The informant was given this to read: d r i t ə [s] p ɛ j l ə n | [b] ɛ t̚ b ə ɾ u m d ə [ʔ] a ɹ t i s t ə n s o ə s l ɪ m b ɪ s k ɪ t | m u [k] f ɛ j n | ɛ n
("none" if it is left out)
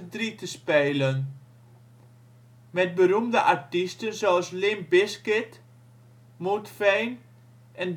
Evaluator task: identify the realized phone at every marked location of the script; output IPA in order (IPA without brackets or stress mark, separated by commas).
s, m, ʔ, t